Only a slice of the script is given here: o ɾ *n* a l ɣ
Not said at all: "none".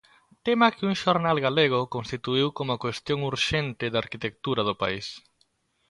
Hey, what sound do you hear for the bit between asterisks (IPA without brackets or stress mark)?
n